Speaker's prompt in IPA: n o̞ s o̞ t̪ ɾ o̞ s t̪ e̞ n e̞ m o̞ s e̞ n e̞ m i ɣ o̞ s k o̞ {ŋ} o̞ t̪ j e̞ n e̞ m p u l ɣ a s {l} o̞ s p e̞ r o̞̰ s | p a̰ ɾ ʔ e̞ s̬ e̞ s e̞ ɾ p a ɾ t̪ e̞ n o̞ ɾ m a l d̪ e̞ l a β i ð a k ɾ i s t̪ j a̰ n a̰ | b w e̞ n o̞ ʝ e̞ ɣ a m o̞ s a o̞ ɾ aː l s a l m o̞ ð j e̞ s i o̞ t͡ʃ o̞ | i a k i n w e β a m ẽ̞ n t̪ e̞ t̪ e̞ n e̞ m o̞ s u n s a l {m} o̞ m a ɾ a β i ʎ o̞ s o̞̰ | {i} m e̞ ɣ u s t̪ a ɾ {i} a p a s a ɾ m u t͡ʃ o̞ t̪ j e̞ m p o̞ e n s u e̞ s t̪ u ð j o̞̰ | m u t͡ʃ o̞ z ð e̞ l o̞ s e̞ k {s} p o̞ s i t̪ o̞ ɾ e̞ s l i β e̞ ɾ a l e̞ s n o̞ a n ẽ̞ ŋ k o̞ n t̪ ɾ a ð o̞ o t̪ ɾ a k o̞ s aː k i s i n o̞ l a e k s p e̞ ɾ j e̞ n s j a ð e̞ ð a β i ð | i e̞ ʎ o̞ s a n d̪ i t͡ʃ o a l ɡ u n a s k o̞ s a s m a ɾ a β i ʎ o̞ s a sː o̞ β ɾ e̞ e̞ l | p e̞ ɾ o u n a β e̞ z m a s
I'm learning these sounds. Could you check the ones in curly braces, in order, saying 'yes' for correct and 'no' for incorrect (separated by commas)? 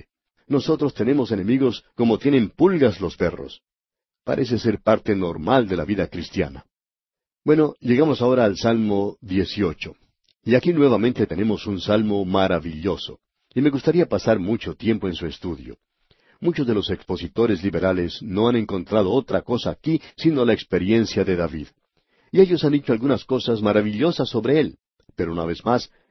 no, yes, yes, yes, yes, yes